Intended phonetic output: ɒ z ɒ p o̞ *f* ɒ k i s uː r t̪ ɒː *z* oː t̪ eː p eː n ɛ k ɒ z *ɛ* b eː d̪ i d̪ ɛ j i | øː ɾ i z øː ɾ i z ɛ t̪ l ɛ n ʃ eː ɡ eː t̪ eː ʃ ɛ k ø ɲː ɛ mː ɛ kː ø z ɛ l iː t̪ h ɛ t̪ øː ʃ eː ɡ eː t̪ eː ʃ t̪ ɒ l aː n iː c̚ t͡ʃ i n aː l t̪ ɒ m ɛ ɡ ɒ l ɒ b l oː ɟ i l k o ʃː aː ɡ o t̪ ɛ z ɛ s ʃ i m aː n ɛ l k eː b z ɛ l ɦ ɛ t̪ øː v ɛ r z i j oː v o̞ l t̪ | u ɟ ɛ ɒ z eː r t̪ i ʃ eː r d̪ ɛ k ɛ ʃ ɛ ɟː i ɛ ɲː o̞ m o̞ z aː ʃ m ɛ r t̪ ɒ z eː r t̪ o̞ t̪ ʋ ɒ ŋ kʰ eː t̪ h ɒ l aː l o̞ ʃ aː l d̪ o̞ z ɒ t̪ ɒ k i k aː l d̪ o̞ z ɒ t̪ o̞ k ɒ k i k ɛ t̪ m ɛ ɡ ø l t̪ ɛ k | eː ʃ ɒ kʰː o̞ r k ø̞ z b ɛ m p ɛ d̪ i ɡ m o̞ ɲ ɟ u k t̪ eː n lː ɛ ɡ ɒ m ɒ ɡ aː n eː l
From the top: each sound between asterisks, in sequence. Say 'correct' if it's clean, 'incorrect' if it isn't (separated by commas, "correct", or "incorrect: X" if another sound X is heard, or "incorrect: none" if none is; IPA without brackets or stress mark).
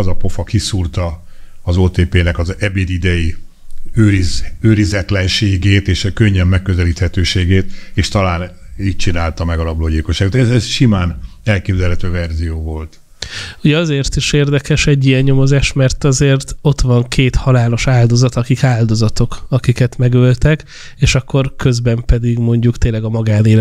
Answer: correct, correct, correct